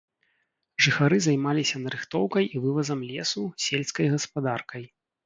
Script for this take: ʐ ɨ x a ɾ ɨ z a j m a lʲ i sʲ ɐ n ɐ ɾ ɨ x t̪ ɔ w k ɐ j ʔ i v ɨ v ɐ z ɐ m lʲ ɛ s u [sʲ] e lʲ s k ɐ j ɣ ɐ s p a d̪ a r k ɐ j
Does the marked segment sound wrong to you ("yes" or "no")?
no